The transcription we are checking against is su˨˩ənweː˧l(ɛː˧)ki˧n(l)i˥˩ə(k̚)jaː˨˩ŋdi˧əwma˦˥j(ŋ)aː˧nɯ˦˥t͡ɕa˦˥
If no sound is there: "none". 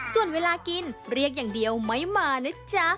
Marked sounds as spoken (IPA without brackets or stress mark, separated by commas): aː˧, ɾ, k̚, m